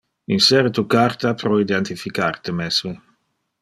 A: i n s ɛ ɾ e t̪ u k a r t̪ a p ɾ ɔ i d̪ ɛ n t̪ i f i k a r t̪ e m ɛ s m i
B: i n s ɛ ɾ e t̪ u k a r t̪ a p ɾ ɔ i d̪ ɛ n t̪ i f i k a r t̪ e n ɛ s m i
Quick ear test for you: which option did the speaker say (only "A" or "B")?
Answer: A